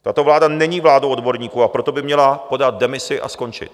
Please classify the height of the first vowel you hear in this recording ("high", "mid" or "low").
low